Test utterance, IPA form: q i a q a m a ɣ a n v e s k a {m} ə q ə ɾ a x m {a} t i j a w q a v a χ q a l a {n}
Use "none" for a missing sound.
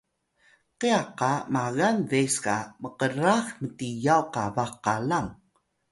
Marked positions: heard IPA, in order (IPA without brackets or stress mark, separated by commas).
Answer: m, ə, ŋ